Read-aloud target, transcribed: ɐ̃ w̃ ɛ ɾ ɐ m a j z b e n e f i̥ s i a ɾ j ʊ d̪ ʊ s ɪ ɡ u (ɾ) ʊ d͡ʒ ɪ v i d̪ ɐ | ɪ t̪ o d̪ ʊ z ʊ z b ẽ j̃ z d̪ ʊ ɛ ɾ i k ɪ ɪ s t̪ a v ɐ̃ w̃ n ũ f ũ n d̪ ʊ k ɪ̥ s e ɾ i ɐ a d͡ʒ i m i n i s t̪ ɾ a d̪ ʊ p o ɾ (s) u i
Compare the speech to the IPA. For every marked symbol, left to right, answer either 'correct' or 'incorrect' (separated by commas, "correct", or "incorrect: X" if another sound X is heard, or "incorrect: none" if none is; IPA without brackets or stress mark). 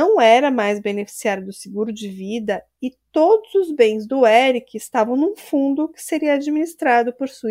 correct, correct